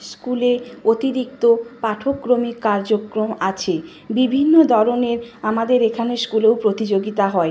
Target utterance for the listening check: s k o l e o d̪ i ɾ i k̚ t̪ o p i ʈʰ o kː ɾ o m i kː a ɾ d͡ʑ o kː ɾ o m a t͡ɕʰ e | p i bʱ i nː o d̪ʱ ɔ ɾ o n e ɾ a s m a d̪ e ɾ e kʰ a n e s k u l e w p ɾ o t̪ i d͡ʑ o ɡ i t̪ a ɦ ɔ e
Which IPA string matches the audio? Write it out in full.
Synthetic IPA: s k u l e o t̪ i ɾ i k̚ t̪ o p a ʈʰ o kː ɾ o m i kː a ɾ d͡ʑ o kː ɾ o m a t͡ɕʰ e | b i bʱ i nː o d̪ʱ ɔ ɾ o n e ɾ a m a d̪ e ɾ e kʰ a n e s k u l e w p ɾ o t̪ i d͡ʑ o ɡ i t̪ a ɦ ɔ e

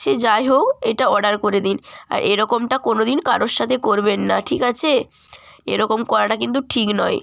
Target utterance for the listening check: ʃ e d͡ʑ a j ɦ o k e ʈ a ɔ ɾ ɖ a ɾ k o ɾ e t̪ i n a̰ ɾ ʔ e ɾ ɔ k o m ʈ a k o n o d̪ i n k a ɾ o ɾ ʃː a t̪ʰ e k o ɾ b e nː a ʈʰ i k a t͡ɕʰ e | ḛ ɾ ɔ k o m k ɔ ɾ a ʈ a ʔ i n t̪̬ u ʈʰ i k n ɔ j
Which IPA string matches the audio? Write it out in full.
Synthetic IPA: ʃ e d͡ʑ a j ɦ o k e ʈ a ɔ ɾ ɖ a ɾ k o ɾ e d̪ i n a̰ ɾ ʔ e ɾ ɔ k o m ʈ a k o n o d̪ i n k a ɾ o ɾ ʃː a t̪ʰ e k o ɾ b e nː a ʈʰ i k a t͡ɕʰ e | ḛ ɾ ɔ k o m k ɔ ɾ a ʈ a k i n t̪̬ u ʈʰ i k n ɔ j

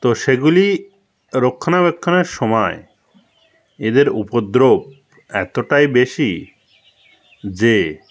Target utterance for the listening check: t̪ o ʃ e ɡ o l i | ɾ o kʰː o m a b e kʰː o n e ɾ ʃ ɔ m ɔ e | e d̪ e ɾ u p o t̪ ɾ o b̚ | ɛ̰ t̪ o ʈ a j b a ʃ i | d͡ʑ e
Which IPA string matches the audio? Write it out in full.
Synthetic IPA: t̪ o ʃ e ɡ u l i | ɾ o kʰː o n a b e kʰː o n e ɾ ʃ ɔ m ɔ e | e d̪ e ɾ u p o d̪ ɾ o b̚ | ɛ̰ t̪ o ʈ a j b e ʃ i | d͡ʑ e

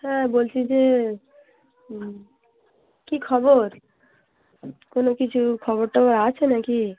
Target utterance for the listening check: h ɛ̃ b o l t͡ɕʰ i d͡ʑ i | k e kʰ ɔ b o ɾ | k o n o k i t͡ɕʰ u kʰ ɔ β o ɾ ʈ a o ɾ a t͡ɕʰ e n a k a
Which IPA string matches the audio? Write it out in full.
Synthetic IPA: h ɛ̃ b o l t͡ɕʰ i d͡ʑ e | k i kʰ ɔ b o ɾ | k o n o k i t͡ɕʰ u kʰ ɔ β o ɾ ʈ a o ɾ a t͡ɕʰ e n a k i

